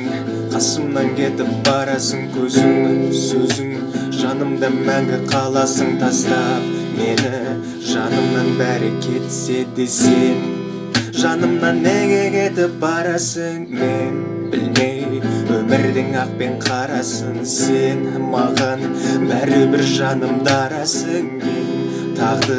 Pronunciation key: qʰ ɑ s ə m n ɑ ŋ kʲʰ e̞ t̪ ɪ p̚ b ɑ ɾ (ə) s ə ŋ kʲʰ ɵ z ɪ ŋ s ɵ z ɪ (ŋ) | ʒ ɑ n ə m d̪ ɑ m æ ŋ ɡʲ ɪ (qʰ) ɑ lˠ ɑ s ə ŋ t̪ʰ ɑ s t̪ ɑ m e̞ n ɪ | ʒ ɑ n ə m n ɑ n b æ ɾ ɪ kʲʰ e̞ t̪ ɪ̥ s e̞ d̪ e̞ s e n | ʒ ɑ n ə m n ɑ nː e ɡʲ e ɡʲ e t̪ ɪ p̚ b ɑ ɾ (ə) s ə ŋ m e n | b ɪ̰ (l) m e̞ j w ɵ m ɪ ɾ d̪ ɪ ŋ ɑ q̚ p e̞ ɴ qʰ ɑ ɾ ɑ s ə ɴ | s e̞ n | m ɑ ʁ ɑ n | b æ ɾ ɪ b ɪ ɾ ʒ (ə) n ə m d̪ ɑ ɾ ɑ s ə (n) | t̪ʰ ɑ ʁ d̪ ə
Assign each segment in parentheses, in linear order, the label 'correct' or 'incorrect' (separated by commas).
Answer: incorrect, correct, correct, incorrect, correct, incorrect, incorrect